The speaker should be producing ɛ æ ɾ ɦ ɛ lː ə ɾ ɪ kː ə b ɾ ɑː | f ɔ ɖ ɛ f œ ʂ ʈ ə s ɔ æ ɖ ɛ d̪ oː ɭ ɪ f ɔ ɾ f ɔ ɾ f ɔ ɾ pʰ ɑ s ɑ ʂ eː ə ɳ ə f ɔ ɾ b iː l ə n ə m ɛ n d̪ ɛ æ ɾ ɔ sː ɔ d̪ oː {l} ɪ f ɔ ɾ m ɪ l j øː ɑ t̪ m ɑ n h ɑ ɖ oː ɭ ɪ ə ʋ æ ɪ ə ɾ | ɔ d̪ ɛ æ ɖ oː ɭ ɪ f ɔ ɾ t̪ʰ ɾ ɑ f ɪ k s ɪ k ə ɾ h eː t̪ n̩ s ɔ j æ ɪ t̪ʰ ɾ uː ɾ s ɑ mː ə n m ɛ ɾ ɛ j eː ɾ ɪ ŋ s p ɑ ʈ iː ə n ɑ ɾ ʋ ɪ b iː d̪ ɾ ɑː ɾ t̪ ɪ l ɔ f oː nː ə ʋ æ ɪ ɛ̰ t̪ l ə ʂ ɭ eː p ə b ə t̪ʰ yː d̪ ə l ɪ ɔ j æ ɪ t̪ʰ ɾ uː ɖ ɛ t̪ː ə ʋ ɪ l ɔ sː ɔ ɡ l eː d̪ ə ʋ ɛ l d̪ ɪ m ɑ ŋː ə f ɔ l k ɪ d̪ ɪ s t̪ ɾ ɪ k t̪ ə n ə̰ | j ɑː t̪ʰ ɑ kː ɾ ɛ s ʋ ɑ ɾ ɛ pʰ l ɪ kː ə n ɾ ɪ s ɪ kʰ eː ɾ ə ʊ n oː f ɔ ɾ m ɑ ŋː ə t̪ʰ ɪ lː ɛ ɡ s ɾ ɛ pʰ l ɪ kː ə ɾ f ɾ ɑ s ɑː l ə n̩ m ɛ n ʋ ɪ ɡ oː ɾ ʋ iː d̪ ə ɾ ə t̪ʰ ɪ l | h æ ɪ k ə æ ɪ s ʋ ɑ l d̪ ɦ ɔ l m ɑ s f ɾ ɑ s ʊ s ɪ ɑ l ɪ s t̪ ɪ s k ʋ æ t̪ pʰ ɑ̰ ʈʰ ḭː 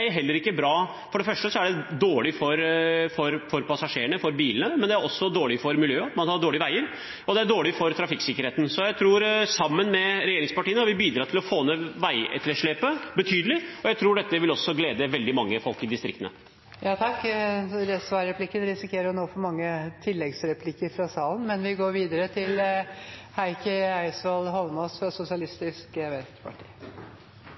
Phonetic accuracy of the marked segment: incorrect: ɭ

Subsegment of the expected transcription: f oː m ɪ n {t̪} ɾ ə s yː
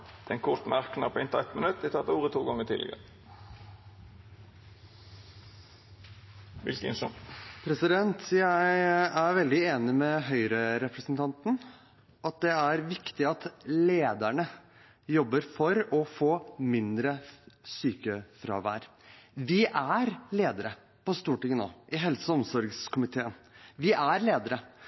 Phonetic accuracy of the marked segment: incorrect: d̪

